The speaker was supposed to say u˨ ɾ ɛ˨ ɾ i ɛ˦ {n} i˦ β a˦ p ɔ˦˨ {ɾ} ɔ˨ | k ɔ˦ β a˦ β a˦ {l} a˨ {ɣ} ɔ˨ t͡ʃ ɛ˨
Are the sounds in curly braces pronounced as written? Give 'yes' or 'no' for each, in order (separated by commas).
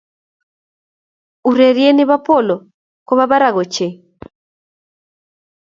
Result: yes, no, no, yes